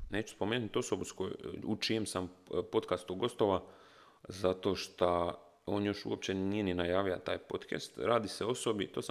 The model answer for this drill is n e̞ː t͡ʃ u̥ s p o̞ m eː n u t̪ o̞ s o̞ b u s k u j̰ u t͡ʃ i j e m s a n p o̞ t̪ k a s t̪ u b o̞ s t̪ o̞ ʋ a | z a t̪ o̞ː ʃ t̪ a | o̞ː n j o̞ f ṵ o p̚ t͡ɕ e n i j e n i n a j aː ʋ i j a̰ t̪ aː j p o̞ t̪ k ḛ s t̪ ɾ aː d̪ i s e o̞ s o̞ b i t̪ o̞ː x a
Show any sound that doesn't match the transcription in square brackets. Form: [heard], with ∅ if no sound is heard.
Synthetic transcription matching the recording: n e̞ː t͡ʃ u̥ s p o̞ m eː n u t̪ o̞ s o̞ b u s k [o] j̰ u t͡ʃ i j e m s a [m] p o̞ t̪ k a s t̪ u [ɡ] o̞ s t̪ o̞ ʋ a | z a t̪ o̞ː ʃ t̪ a | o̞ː n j o̞ [ʃ] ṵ o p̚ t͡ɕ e n i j e n i n a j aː ʋ i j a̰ t̪ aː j p o̞ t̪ k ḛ s t̪ ɾ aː d̪ i s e o̞ s o̞ b i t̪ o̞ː [s] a